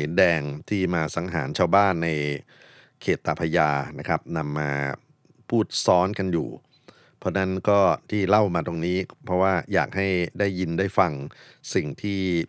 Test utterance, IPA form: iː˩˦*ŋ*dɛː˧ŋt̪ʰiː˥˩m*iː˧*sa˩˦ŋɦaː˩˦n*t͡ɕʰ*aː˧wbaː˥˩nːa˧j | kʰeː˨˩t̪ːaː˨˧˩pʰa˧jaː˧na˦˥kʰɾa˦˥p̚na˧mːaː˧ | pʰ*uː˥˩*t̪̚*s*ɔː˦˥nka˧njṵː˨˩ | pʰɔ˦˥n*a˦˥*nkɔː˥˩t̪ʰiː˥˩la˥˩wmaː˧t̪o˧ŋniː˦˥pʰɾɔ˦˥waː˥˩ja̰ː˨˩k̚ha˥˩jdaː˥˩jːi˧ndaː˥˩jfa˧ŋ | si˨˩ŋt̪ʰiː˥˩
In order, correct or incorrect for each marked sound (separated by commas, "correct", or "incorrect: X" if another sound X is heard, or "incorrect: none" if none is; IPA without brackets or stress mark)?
incorrect: n, incorrect: aː˧, correct, correct, correct, correct